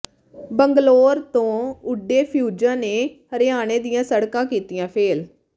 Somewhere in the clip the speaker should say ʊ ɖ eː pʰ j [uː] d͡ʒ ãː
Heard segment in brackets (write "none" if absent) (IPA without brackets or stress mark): uː